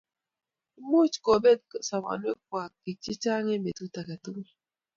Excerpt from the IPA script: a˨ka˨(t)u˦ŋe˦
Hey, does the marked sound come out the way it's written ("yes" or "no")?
yes